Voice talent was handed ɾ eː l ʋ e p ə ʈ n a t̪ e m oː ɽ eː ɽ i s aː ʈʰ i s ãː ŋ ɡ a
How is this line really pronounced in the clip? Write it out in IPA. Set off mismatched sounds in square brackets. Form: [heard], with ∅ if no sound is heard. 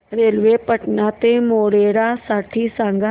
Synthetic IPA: ɾ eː l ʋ e p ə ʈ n a t̪ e m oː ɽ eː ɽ [a] s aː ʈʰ i s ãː ŋ ɡ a